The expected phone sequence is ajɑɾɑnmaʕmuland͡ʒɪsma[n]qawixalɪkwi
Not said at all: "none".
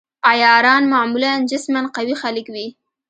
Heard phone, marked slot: n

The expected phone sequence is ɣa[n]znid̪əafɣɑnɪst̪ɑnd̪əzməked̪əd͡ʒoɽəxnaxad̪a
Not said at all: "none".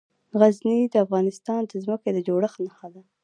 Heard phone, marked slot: none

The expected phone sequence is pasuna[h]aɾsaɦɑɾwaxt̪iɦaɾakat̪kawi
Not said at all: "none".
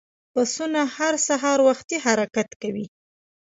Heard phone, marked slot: h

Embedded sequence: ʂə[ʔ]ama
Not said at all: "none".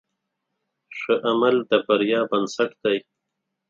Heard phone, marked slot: ʔ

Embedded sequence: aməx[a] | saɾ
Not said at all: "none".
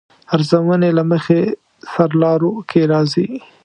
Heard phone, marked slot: e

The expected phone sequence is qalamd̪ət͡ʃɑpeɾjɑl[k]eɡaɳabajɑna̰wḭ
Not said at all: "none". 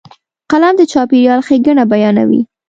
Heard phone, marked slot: x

